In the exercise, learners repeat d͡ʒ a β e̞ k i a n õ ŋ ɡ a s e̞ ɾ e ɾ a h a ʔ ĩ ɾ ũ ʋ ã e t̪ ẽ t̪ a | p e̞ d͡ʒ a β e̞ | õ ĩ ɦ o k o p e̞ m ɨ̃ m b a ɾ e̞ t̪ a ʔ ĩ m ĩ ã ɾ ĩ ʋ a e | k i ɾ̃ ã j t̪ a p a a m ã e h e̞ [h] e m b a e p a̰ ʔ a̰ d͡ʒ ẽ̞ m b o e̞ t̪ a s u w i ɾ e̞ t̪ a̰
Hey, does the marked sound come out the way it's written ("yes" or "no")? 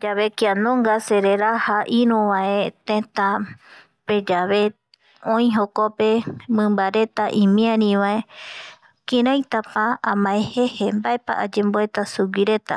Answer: yes